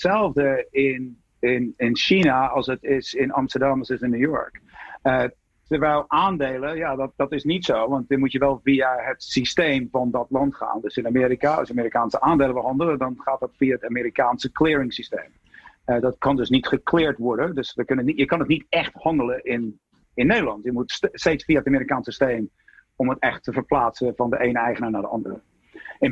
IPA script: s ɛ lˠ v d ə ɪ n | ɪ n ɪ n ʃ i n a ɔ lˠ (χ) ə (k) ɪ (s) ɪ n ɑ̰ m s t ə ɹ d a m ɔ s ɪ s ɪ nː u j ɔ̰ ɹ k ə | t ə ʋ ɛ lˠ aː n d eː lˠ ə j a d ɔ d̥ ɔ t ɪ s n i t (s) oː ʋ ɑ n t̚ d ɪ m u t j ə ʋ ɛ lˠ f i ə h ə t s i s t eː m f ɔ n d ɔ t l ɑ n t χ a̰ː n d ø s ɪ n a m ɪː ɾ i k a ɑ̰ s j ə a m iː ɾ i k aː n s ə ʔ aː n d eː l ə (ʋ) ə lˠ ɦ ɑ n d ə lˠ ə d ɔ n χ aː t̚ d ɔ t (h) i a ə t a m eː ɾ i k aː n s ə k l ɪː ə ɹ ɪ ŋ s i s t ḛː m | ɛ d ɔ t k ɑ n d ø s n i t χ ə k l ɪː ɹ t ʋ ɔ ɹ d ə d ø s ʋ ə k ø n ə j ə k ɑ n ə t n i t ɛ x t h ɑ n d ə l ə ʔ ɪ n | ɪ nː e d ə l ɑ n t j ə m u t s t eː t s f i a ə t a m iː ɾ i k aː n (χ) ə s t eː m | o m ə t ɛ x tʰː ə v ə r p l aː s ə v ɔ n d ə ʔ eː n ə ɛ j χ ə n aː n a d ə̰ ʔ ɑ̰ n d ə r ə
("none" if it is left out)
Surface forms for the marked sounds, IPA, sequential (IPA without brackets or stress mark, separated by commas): s, t, s, s, ʋ, f, s